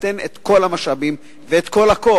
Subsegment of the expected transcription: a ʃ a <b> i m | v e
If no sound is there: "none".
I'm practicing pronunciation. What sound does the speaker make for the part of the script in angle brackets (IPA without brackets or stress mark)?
b